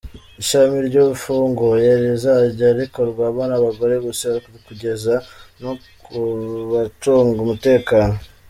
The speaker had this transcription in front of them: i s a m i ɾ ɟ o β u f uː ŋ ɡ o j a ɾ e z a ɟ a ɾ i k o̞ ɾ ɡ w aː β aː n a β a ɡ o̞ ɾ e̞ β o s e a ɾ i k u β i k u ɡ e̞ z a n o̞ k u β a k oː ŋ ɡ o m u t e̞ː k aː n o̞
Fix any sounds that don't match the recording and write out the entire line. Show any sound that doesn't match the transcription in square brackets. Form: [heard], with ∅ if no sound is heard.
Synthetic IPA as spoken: i [ʃ] a m i ɾ ɟ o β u f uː ŋ ɡ o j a ɾ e z a ɟ a ɾ i k o̞ ɾ ɡ w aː β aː n a β a ɡ o̞ ɾ e̞ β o s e a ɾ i k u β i k u [ɟ] e̞ z a n o̞ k u β a [t] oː ŋ ɡ [u] m u t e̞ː k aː n o̞